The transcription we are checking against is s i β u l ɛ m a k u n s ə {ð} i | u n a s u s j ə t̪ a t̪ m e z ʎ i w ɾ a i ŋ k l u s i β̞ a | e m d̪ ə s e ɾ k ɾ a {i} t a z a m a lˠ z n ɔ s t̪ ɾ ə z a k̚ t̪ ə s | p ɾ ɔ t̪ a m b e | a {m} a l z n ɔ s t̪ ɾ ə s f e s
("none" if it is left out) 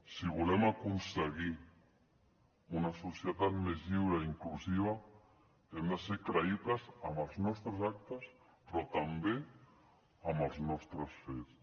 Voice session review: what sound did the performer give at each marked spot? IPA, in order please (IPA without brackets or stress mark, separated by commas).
ɣ, i, m